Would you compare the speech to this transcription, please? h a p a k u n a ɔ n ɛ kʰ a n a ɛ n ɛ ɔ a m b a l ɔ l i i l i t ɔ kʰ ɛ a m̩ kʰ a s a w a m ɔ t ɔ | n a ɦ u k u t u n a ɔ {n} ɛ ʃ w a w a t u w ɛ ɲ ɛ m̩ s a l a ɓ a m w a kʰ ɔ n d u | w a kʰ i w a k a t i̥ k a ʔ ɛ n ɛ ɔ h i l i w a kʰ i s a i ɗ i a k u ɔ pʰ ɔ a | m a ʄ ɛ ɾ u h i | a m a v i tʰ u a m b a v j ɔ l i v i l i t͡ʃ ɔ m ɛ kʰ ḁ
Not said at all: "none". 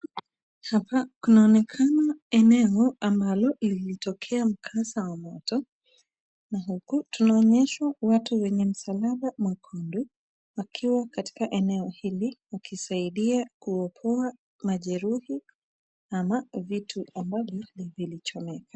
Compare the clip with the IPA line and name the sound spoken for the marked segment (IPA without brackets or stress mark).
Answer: ɲ